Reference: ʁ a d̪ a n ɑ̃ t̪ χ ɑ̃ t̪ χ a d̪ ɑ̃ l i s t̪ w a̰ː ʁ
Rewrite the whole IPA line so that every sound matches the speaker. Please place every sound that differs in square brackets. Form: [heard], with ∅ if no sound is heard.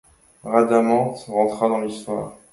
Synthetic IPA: ʁ a d̪ a [m] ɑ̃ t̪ [ʁ] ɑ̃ t̪ χ a d̪ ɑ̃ l i s t̪ w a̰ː ʁ